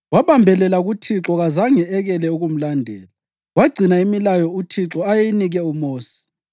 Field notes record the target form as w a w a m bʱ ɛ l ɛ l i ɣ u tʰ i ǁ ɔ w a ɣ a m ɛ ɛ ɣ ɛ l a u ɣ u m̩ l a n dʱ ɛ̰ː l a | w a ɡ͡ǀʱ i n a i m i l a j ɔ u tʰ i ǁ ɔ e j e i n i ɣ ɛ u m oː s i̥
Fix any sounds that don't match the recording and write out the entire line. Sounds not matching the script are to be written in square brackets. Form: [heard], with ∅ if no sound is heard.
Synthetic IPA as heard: w a [β] a m bʱ ɛ l ɛ l [a] ɣ u tʰ i ǁ ɔ [ɣ] a [z] a [ŋ] ɛ ɛ ɣ ɛ l [ɛ] u ɣ u m̩ l a n dʱ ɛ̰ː l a | w a ɡ͡ǀʱ i n a i m i l a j ɔ u tʰ i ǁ ɔ [a] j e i n i ɣ ɛ u m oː s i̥